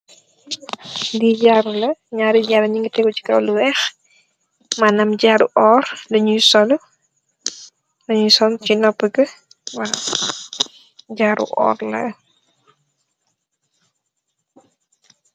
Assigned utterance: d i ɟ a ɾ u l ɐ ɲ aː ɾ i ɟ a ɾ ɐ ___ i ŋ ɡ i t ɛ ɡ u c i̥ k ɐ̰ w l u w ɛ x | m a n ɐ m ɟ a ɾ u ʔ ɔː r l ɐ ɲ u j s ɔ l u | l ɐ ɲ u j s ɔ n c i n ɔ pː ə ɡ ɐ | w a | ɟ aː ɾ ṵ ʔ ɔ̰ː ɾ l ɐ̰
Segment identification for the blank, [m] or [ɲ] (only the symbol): ɲ